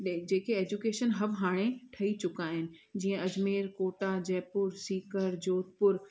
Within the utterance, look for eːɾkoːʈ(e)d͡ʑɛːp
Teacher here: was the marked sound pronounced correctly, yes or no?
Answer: no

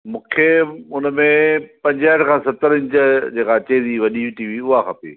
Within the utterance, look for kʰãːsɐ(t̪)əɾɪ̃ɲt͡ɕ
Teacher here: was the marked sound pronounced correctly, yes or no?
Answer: yes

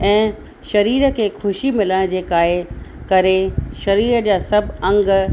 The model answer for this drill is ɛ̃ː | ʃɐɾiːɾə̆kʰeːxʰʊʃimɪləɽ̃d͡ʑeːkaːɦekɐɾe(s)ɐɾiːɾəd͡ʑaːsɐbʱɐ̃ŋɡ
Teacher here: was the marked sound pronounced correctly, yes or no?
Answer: no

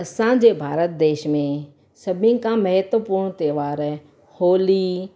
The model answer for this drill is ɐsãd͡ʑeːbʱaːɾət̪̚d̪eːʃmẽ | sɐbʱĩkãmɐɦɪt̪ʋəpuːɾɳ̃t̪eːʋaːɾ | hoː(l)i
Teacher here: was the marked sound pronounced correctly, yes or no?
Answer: yes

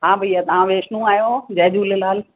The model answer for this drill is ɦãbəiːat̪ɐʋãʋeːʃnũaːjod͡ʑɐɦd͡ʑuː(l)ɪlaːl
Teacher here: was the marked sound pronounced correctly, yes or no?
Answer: yes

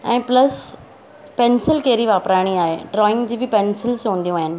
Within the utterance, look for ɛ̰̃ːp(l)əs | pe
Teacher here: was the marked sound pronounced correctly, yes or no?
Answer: yes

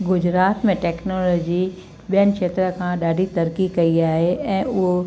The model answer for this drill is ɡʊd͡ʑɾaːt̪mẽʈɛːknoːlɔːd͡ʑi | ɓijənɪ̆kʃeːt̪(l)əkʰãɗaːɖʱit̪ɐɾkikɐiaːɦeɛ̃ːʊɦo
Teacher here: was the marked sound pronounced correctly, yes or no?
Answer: no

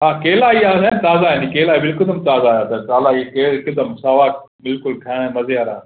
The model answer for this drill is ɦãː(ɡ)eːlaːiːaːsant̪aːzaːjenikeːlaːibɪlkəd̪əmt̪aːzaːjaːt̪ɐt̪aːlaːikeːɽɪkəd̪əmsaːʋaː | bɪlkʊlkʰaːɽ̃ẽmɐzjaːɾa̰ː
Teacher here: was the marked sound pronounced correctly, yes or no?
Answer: no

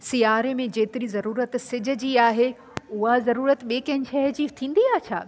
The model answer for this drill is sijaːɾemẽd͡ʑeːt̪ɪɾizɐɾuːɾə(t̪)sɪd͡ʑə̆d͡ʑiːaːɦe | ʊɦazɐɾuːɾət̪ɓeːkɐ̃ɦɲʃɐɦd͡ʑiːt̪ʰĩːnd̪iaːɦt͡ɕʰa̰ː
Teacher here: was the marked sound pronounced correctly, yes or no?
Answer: yes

